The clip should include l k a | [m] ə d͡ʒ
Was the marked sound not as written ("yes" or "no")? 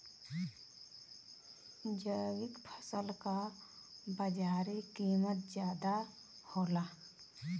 yes